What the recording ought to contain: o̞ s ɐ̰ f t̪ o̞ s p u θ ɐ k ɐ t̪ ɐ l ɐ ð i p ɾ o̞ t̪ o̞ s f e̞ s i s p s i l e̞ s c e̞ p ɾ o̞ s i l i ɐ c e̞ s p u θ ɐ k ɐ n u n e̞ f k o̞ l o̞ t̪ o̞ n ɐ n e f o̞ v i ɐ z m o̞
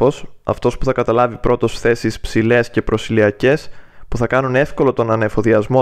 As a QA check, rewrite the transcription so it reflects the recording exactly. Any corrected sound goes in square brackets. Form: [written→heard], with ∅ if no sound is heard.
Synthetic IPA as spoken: o̞ s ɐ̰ f t̪ o̞ s p u θ ɐ k ɐ t̪ ɐ l ɐ [ð→v] i p ɾ o̞ t̪ o̞ s [f→θ] e̞ s i s p s i l e̞ s c e̞ p ɾ o̞ s i l i ɐ c e̞ s p u θ ɐ k ɐ n u n e̞ f k o̞ l o̞ t̪ o̞ n ɐ n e f o̞ [v→ð] i ɐ z m o̞